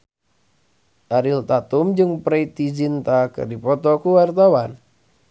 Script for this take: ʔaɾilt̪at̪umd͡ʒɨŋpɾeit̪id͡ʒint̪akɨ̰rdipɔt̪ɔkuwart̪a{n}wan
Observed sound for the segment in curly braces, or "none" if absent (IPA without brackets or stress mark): none